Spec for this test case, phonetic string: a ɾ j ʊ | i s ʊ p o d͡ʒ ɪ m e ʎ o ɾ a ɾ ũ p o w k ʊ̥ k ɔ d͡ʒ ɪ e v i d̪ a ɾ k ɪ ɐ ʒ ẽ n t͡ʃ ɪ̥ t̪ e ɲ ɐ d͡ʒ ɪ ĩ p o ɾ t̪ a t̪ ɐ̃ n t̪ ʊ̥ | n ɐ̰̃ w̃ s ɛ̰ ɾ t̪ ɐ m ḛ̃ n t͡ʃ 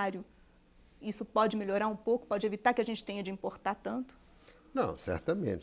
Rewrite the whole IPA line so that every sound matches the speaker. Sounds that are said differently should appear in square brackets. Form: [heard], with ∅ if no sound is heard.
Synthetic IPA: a ɾ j ʊ | i s ʊ p [ɔ] d͡ʒ ɪ m e ʎ o ɾ a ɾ ũ p o w k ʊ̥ [p] ɔ d͡ʒ ɪ e v i [t̪] a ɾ k ɪ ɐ ʒ ẽ n t͡ʃ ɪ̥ t̪ [ẽ] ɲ ɐ d͡ʒ ɪ ĩ p o ɾ t̪ a t̪ ɐ̃ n t̪ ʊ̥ | n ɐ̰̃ w̃ s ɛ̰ ɾ t̪ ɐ m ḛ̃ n t͡ʃ